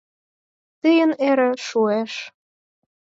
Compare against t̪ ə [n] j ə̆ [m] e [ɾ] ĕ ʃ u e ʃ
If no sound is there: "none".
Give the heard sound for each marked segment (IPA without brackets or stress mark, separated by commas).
none, n, ɾ